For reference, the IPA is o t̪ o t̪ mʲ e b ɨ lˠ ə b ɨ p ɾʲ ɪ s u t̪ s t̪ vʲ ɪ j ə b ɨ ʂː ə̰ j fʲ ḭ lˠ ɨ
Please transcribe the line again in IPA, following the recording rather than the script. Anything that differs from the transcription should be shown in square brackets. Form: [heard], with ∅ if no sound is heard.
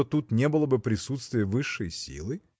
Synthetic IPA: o t̪ [u] t̪ [nʲ] e b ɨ lˠ ə b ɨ p ɾʲ ɪ s u t̪ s t̪ vʲ ɪ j ə [v] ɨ ʂː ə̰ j [sʲ] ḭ lˠ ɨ